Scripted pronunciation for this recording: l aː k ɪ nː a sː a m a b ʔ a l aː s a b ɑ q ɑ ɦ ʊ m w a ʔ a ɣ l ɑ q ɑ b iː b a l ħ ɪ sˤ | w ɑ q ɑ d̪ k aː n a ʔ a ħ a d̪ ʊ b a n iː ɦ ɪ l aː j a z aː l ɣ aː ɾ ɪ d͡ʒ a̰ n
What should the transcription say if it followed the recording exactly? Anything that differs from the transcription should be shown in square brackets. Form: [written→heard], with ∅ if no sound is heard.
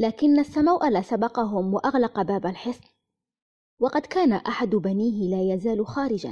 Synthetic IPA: l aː k ɪ nː a sː a m a [b→w] ʔ a l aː s a b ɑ q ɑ ɦ ʊ m w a ʔ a ɣ l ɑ q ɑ b [iː→aː] b a l ħ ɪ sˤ | w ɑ q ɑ d̪ k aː n a ʔ a ħ a d̪ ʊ b a n iː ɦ ɪ l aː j a z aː l [ɣ→x] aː ɾ ɪ d͡ʒ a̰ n